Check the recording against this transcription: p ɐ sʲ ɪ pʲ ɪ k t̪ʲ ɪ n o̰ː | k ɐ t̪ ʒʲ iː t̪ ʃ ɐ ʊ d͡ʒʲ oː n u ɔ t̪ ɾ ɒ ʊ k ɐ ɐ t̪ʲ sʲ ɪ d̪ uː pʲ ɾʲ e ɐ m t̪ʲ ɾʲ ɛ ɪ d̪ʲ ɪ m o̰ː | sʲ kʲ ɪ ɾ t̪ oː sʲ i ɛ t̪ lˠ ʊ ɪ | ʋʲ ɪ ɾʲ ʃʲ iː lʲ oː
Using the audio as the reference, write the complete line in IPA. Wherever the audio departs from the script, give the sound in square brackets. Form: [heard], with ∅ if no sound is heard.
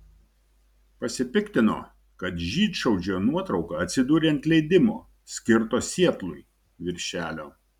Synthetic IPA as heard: p ɐ sʲ ɪ pʲ ɪ k t̪ʲ ɪ n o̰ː | k ɐ t̪ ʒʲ iː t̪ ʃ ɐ ʊ d͡ʒʲ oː n u ɔ t̪ ɾ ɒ ʊ k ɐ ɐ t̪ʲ sʲ ɪ d̪ uː [∅] ɾʲ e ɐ [n] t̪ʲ [lʲ] ɛ ɪ d̪ʲ ɪ m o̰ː | sʲ kʲ ɪ ɾ t̪ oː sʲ i ɛ t̪ lˠ ʊ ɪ | ʋʲ ɪ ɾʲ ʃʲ [æː] lʲ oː

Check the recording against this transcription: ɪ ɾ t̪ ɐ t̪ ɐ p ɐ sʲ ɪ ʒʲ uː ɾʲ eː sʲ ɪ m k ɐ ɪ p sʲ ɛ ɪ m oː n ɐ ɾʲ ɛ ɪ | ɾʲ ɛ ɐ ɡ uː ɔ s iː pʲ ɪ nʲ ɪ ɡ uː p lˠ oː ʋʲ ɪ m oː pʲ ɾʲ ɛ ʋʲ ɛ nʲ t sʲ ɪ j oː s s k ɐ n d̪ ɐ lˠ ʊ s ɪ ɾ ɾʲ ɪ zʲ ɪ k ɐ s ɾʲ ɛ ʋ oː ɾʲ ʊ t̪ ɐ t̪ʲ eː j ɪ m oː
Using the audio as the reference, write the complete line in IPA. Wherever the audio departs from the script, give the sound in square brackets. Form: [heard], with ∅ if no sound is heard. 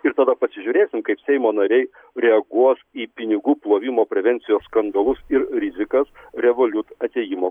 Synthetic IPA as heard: ɪ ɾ t̪ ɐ [d̪] ɐ p ɐ sʲ ɪ ʒʲ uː ɾʲ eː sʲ ɪ m k ɐ ɪ p sʲ ɛ ɪ m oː n ɐ ɾʲ ɛ ɪ | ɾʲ ɛ ɐ ɡ [u] ɔ s iː pʲ ɪ nʲ ɪ ɡ uː p lˠ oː ʋʲ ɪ m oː pʲ ɾʲ ɛ ʋʲ ɛ nʲ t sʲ ɪ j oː s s k ɐ n d̪ ɐ lˠ ʊ s ɪ ɾ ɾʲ ɪ zʲ ɪ k ɐ s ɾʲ ɛ ʋ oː [lʲ] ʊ t̪ ɐ t̪ʲ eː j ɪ m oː

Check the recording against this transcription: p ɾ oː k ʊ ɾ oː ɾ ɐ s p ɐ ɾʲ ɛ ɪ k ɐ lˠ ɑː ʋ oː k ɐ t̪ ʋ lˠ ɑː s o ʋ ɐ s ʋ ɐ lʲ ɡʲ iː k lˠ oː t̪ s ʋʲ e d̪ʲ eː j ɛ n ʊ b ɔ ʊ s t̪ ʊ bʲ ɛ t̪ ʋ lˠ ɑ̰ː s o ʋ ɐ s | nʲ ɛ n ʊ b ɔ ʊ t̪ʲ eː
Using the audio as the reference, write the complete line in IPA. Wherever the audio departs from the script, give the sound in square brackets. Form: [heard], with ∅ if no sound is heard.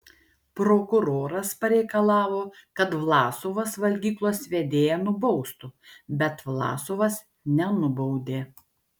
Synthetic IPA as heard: p ɾ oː k ʊ ɾ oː ɾ ɐ s p ɐ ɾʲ ɛ ɪ k ɐ lˠ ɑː ʋ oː k ɐ t̪ ʋ lˠ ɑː s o ʋ ɐ s ʋ ɐ lʲ ɡʲ iː k lˠ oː [∅] s ʋʲ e d̪ʲ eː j ɛ n ʊ b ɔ ʊ s t̪ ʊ bʲ ɛ t̪ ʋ lˠ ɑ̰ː s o ʋ ɐ s | nʲ ɛ n ʊ b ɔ ʊ [d̪ʲ] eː

